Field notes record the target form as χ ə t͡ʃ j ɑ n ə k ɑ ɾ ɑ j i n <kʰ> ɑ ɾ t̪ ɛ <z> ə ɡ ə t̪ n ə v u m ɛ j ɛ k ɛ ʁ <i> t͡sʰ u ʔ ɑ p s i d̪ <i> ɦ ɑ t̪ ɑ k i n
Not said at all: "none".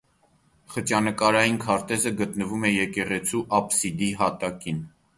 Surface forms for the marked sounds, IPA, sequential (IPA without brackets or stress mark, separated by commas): kʰ, z, ɛ, i